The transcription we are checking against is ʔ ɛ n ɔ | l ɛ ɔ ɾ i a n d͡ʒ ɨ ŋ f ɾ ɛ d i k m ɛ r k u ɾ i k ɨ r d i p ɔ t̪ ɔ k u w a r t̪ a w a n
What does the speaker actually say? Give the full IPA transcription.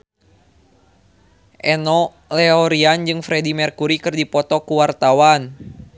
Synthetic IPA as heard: ʔ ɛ n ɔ | l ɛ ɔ ɾ i a n d͡ʒ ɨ ŋ f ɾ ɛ d i m ɛ r k u ɾ i k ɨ r d i p ɔ t̪ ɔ k u w a r t̪ a w a n

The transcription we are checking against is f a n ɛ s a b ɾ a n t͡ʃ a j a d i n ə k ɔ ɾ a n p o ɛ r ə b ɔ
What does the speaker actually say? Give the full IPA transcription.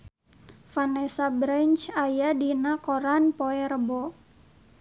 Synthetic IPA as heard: f a n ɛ s a b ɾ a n t͡ʃ a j a d i n a k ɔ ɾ a n p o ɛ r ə b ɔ

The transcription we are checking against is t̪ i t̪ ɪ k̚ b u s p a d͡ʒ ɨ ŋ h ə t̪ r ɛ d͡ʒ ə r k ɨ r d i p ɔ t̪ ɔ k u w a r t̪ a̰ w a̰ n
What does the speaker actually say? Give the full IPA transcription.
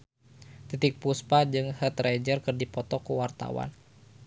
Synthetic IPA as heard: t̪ i t̪ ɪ k̚ p u s p a d͡ʒ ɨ ŋ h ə t̪ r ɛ d͡ʒ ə r k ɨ r d i p ɔ t̪ ɔ k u w a r t̪ a̰ w a̰ n

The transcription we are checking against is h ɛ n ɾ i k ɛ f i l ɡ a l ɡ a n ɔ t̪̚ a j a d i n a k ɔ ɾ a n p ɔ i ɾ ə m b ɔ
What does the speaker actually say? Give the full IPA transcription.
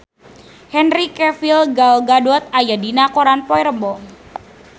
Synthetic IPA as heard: h ɛ n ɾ i k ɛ f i l ɡ a l ɡ a d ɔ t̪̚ a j a d i n a k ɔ ɾ a n p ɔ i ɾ ə m b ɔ

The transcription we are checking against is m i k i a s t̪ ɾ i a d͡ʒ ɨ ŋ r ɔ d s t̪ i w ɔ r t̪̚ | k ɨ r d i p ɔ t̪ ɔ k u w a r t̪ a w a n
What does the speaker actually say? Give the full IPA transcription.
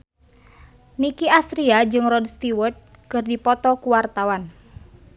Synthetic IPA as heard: n i k i a s t̪ ɾ i a d͡ʒ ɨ ŋ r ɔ d s t̪ i w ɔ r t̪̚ | k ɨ r d i p ɔ t̪ ɔ k u w a r t̪ a w a n

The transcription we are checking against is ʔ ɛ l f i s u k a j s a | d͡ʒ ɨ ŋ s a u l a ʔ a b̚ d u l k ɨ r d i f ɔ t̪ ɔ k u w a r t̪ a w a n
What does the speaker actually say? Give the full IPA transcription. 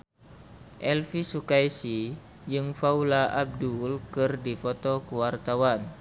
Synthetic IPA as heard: ʔ ɛ l f i s u k a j s i | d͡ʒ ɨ ŋ f a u l a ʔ a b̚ d u l k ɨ r d i f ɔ t̪ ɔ k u w a r t̪ a w a n

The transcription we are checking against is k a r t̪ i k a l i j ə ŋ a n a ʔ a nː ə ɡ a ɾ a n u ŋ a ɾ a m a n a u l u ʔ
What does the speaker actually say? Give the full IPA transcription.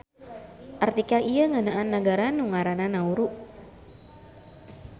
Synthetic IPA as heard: ʔ a r t̪ i k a l i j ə ŋ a n a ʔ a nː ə ɡ a ɾ a n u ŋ a ɾ a n a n a u ɾ u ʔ

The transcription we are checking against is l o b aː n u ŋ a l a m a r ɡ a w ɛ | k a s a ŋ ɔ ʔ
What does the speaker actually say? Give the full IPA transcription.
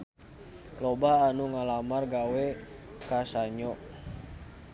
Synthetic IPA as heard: l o b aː n u ŋ a l a m a r ɡ a w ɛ | k a s a ɲ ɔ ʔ

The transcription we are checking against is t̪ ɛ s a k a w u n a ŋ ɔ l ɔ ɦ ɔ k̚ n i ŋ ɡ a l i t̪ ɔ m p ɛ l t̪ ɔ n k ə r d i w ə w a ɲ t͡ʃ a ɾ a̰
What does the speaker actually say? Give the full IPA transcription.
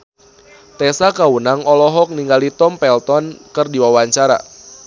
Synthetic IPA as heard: t̪ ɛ s a k a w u n a ŋ ɔ l ɔ ɦ ɔ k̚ n i ŋ ɡ a l i t̪ ɔ m p ɛ l t̪ ɔ n k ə r d i w a w a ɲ t͡ʃ a ɾ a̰

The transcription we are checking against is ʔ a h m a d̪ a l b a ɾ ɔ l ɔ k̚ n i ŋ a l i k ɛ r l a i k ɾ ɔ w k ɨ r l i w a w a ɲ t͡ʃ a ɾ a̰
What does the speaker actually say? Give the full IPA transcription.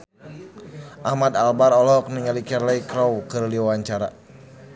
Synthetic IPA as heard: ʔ a h m a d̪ a l b a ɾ ɔ l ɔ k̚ n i ŋ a l i k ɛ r l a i k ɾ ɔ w k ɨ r l i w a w a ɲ t͡ʃ a ɾ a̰

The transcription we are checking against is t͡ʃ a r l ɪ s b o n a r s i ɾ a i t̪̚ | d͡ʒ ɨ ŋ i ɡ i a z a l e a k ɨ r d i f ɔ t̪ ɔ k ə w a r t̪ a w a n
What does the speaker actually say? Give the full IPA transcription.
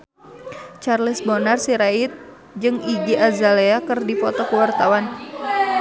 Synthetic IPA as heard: t͡ʃ a r l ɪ s b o n a r s i ɾ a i t̪̚ | d͡ʒ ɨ ŋ i ɡ i a z a l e a k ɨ r d i f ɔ t̪ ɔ k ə w a r t̪ a w a n

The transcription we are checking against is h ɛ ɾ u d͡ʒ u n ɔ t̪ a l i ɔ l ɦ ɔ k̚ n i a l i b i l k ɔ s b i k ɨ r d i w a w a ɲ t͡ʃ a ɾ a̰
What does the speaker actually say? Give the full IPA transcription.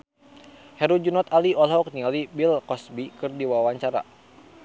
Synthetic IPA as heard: h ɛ ɾ u d͡ʒ u n ɔ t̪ a l i ɔ l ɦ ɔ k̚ n i a l i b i l k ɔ s b i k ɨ r d i w a w a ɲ t͡ʃ a ɾ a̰

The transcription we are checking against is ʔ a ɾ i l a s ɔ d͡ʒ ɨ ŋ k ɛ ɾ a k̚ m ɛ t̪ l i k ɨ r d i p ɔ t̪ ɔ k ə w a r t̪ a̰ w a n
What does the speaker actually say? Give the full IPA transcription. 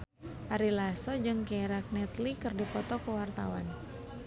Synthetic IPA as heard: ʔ a ɾ i l a s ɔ d͡ʒ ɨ ŋ k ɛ ɾ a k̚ n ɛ t̪ l i k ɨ r d i p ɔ t̪ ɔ k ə w a r t̪ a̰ w a n

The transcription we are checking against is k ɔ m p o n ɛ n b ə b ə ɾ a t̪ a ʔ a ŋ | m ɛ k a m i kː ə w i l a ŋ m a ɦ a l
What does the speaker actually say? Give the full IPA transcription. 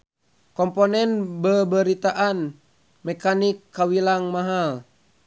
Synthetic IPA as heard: k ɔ m p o n ɛ n b ə b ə ɾ i t̪ a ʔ a n | m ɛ k a n i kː a w i l a ŋ m a ɦ a l

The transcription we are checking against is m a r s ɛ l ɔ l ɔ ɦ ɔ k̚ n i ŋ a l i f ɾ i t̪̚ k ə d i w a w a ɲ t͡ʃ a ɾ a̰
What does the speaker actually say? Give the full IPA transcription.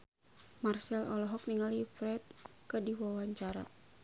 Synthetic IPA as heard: m a r s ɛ l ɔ l ɔ ɦ ɔ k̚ n i ŋ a l i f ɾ ɛ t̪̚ k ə d i w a w a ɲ t͡ʃ a ɾ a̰

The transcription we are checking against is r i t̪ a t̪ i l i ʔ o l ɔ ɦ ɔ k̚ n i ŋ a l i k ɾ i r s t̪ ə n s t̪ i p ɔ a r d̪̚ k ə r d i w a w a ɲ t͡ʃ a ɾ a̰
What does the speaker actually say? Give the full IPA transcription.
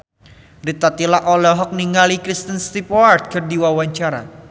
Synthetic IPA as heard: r i t̪ a t̪ i l a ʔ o l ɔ ɦ ɔ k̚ n i ŋ a l i k ɾ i s t̪ ə n s t̪ i p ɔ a r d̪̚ k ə r d i w a w a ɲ t͡ʃ a ɾ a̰

